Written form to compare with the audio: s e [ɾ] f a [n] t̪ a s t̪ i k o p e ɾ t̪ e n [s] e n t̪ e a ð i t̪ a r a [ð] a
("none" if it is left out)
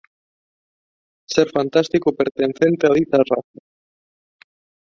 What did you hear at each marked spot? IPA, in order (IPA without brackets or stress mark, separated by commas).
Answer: ɾ, n, θ, θ